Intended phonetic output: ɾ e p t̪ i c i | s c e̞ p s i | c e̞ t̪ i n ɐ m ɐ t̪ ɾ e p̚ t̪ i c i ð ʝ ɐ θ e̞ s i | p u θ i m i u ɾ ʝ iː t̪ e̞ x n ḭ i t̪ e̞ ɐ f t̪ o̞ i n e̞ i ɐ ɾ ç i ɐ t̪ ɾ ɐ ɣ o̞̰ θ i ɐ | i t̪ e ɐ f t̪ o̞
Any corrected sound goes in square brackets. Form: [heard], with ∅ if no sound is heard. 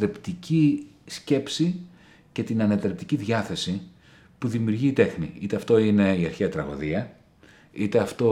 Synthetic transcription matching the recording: ɾ e p t̪ i c i | s c e̞ p s i | c e̞ t̪ i n ɐ [n] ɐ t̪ ɾ e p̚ t̪ i c i ð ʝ ɐ θ e̞ s i | p u [ð] i m i u ɾ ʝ iː t̪ e̞ x n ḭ i t̪ e̞ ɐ f t̪ o̞ i n e̞ i ɐ ɾ ç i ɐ t̪ ɾ ɐ ɣ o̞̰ [ð] i ɐ | i t̪ e ɐ f t̪ o̞